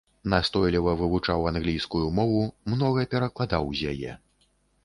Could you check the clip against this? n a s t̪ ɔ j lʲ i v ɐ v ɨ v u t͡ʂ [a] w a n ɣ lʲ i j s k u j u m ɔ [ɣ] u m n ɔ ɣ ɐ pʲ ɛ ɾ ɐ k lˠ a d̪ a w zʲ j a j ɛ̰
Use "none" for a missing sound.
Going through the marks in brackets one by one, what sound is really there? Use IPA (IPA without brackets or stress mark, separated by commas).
a, v